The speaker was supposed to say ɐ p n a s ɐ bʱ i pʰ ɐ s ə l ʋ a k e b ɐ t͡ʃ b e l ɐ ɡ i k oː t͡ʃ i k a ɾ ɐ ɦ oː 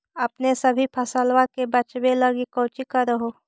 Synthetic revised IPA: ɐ p n e s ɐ bʱ i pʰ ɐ s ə l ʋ a k e b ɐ t͡ʃ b e l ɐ ɡ i k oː t͡ʃ i k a ɾ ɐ ɦ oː